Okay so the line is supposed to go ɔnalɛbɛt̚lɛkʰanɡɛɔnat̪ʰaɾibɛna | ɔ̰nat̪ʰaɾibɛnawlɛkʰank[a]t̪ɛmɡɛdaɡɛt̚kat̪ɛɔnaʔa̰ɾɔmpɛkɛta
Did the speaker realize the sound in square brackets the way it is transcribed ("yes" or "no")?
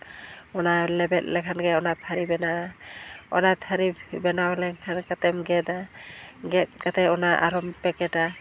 yes